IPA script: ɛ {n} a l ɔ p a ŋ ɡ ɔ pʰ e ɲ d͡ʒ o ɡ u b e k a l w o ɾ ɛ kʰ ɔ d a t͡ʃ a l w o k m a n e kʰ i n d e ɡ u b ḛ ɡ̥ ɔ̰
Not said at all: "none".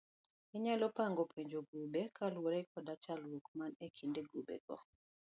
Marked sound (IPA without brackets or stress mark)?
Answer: ɲ